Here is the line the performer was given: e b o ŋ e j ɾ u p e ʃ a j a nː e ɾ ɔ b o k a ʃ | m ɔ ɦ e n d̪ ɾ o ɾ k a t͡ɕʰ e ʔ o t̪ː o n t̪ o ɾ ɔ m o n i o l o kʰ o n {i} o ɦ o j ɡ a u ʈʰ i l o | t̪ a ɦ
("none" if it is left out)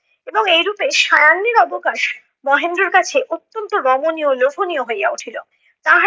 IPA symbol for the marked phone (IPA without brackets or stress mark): i